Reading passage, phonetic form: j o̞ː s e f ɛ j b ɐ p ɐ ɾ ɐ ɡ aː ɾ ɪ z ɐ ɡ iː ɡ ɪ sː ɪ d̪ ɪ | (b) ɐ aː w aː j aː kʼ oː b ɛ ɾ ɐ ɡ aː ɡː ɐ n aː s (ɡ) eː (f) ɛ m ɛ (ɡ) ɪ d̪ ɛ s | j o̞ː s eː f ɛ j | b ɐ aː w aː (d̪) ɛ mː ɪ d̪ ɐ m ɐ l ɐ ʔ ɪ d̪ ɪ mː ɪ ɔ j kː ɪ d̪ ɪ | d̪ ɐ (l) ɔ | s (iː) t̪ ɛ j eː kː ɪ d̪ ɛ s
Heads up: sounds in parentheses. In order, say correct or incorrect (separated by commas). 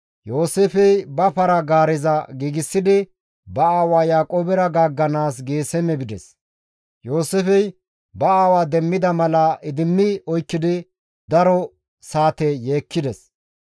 correct, correct, incorrect, incorrect, correct, incorrect, incorrect